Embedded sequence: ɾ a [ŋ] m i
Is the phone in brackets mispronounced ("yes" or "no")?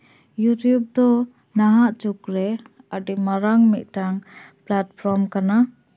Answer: no